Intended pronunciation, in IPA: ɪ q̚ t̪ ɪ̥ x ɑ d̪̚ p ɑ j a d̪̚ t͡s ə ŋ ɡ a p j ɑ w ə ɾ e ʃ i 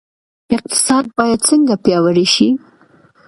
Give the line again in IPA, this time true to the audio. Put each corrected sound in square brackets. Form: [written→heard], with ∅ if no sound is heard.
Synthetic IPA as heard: ɪ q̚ t̪ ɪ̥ [x→s] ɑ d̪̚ [p→b] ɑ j a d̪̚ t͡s ə ŋ ɡ a p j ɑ w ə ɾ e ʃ i

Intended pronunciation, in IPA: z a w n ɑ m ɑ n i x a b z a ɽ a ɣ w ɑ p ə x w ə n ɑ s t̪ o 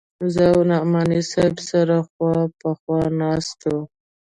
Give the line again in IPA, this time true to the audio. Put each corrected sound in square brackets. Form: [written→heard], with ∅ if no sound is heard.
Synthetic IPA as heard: z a w n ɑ m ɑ n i [x→s] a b [z→s] a [ɽ→ɾ] a [ɣ→x] w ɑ p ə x w [ə→ɑ] n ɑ s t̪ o

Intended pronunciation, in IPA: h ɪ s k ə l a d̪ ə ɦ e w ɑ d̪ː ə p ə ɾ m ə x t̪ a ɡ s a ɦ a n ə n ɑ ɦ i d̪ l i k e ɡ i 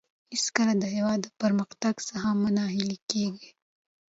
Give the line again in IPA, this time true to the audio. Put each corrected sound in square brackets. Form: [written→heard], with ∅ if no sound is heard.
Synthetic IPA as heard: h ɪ s k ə l a d̪ ə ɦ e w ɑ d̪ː ə p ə ɾ m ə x t̪ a ɡ s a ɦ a [n→m] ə n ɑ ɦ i [d̪→∅] l i k e ɡ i

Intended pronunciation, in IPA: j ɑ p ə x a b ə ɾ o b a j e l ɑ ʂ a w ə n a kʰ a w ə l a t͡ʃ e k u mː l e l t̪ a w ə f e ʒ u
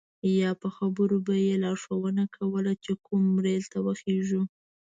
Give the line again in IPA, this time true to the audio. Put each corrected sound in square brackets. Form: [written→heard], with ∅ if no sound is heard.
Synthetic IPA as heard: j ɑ p ə x a b ə ɾ o b a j e l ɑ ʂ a w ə n a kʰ a w ə l a t͡ʃ e k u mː [l→ɾ] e l t̪ a w ə [f→x] e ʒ u

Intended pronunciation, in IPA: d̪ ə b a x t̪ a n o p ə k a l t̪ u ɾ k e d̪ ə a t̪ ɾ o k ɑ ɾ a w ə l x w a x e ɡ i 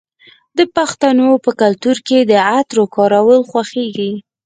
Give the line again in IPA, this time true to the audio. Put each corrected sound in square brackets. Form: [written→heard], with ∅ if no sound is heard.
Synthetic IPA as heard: d̪ ə [b→p] a x t̪ a n o p ə k a l t̪ u ɾ k e d̪ ə a t̪ ɾ o k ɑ ɾ a w ə l x w a x e ɡ i

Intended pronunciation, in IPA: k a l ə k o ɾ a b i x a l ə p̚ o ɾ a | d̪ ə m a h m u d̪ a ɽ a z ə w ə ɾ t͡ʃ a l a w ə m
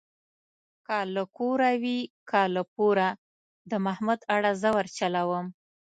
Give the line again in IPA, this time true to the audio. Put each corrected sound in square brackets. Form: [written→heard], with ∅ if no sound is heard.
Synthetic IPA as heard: k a l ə k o ɾ a [b→w] i [x→k] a l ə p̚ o ɾ a | d̪ ə m a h m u d̪ a ɽ a z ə w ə ɾ t͡ʃ a l a w ə m

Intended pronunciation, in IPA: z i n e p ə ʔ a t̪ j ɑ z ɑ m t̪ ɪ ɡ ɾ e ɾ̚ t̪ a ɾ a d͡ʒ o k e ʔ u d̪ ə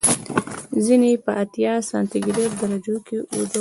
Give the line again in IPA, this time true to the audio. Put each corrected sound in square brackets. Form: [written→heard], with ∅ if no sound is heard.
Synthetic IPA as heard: z i n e p ə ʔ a t̪ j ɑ [z→s] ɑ [m→n] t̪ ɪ ɡ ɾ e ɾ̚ [t̪→d̪] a ɾ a d͡ʒ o k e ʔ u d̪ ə

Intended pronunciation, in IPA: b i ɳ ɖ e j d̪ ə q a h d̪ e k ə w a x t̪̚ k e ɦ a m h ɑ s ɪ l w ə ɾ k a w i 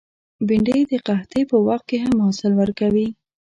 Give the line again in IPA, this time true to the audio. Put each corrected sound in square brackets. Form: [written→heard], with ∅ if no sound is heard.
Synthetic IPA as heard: b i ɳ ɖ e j d̪ ə q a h [d̪→t̪] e [k→p] ə w a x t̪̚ k e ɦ a m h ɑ s ɪ l w ə ɾ k a w i

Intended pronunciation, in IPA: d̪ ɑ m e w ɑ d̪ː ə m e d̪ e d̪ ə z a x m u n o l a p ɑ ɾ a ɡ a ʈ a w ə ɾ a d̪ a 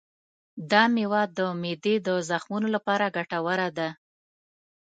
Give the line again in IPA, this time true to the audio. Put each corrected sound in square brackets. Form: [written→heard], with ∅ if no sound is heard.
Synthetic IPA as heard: d̪ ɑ m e w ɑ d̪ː ə m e d̪ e d̪ ə z a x m u n o l a p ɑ ɾ a ɡ a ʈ a w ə ɾ a d̪ a

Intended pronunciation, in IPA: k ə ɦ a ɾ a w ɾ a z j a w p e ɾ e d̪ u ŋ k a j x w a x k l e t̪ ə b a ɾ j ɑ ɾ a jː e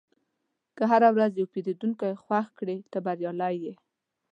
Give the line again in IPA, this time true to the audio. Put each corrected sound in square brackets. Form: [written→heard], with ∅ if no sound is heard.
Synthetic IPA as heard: k ə ɦ a ɾ a w ɾ a z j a w p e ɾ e d̪ u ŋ k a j x w a x k [l→ɽ] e t̪ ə b a ɾ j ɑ [ɾ→l] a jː e

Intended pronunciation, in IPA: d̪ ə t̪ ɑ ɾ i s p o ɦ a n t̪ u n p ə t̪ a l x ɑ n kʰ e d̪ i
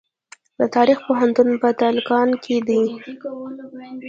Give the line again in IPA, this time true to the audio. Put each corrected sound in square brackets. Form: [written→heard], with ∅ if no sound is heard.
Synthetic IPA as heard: d̪ ə t̪ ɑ ɾ i [s→x] p o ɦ a n t̪ u n p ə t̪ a l [x→k] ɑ n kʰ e d̪ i

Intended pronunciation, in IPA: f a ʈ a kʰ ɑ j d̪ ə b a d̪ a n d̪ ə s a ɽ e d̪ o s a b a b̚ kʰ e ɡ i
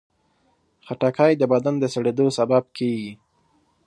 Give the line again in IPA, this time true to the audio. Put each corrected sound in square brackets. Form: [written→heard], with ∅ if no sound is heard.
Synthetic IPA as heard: [f→x] a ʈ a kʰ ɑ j d̪ ə b a d̪ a n d̪ ə s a ɽ e d̪ o s a b a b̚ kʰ e ɡ i

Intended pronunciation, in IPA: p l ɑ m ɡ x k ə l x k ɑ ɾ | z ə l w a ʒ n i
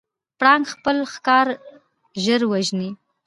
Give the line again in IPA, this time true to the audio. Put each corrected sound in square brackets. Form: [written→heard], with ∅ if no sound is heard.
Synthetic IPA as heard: p [l→ɽ] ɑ [m→ŋ] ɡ x [k→p] ə l x k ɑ ɾ | [z→ʒ] ə [l→ɾ] w a ʒ n i

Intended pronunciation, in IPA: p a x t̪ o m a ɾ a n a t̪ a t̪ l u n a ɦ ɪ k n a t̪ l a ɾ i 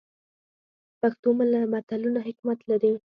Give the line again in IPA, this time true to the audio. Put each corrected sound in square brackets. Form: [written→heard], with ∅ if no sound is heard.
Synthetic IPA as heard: p a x t̪ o m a [ɾ→l] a [n→m] a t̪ a [t̪→∅] l u n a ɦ ɪ k [n→m] a t̪ l a ɾ i

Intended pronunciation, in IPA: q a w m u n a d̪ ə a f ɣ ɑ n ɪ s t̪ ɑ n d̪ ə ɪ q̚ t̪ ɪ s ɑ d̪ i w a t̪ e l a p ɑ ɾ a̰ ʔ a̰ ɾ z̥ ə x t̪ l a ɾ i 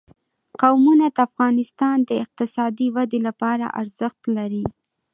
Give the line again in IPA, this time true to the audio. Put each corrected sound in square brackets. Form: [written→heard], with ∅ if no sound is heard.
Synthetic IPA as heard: q a w m u n a d̪ ə a f ɣ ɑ n ɪ s t̪ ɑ n d̪ ə ɪ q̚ t̪ ɪ s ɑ d̪ i w a [t̪→d̪] e l a p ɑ ɾ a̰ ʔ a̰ ɾ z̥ ə x t̪ l a ɾ i

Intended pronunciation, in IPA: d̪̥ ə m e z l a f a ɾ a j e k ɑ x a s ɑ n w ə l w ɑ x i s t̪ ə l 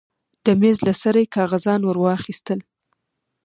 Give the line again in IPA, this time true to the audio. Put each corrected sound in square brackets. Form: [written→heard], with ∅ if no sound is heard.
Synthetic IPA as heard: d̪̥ ə m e z l a [f→s] a ɾ a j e k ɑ [x→ɣ] a [s→z] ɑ n w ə [l→ɾ] w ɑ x i s t̪ ə l

